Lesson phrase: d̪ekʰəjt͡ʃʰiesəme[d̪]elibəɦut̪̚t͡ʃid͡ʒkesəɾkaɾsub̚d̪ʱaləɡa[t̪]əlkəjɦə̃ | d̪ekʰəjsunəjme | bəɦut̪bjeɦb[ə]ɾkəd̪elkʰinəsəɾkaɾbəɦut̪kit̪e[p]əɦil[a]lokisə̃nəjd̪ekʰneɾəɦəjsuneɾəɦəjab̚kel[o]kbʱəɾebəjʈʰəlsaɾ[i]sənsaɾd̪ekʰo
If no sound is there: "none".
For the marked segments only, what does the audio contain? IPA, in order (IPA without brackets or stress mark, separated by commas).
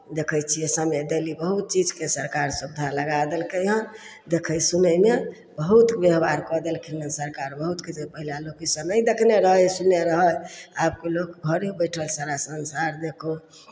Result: d̪, d̪, a, p, a, o, a